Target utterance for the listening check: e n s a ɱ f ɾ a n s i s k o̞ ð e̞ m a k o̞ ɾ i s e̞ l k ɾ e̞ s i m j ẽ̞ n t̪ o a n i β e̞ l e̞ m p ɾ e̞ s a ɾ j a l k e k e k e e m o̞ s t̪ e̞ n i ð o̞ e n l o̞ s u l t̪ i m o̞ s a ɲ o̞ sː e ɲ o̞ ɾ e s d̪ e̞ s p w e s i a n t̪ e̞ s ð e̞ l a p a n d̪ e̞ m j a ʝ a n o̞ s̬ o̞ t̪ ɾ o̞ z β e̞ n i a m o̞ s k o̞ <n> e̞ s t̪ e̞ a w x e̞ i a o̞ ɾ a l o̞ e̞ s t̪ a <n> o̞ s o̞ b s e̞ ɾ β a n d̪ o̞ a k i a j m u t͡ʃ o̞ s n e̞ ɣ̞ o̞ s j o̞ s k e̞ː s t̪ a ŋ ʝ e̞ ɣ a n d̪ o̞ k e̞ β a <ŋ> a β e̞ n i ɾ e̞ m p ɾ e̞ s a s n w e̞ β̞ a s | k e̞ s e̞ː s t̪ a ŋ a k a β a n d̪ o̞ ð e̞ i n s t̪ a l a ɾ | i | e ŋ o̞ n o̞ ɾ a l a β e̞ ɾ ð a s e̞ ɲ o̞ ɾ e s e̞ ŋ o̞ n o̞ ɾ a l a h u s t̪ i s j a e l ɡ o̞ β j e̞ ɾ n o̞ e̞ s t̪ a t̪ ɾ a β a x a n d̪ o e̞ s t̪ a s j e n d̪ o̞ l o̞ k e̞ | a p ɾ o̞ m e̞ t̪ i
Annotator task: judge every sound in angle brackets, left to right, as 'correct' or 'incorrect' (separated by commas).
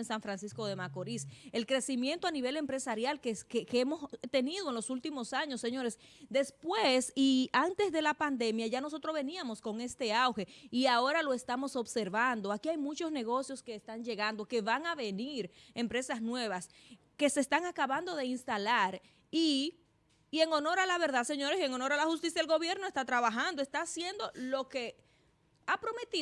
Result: incorrect, incorrect, correct